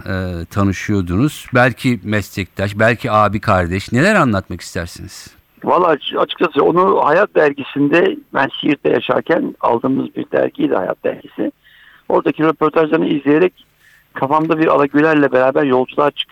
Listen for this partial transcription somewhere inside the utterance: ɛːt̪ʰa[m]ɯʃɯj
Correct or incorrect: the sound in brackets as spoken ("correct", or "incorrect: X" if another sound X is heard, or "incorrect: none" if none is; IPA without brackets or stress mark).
incorrect: n